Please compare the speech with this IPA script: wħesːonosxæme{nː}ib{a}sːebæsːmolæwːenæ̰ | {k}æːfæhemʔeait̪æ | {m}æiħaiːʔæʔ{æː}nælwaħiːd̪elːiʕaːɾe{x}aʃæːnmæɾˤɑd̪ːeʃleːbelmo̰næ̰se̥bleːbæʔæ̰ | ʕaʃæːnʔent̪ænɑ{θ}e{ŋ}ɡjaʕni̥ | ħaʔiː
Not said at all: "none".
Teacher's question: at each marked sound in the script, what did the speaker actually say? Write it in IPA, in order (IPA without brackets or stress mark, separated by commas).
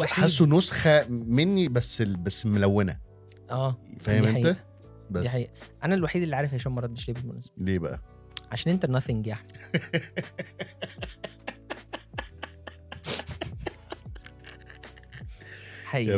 nː, æ, ʔ, b, æ, f, θ, ŋ